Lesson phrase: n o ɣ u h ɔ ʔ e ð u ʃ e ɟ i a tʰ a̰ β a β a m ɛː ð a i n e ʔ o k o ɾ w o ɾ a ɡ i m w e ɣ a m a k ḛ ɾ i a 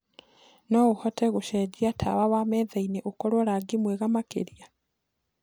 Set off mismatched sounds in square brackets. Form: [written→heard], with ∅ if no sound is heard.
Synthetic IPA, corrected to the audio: n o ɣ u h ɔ [ʔ→t] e [ð→ɣ] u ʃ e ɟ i a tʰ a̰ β a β a m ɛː ð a i n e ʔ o k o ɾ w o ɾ a ɡ i m w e ɣ a m a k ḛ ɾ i a